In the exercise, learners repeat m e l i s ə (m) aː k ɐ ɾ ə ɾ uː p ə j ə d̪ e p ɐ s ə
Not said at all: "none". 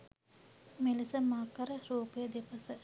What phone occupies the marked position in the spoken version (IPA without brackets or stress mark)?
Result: m